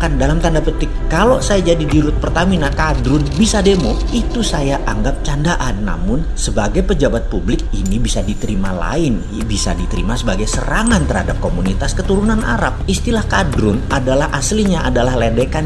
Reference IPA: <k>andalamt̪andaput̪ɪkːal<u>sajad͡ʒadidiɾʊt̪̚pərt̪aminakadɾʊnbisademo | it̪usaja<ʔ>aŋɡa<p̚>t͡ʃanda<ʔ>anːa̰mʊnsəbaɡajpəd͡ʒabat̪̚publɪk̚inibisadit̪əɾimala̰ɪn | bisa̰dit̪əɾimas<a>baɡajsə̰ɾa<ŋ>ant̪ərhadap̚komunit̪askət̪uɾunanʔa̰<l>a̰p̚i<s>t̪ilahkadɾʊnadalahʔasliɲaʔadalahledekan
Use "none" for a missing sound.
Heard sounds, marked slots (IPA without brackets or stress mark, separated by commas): k, o, ʔ, p̚, ʔ, ə, ŋ, ɾ, s